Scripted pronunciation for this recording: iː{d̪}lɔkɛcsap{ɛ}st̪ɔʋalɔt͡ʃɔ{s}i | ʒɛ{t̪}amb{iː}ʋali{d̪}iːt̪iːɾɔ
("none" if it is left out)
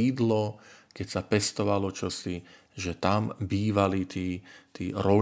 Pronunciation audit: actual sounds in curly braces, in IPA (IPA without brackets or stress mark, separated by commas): d̪, ɛ, s, t̪, iː, t̪